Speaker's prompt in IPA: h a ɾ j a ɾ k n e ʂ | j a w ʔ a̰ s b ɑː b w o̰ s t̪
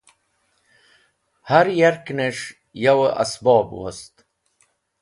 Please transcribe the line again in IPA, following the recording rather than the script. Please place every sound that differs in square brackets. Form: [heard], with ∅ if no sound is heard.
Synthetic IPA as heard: h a ɾ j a ɾ k n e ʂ | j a w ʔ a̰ s b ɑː b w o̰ s t̪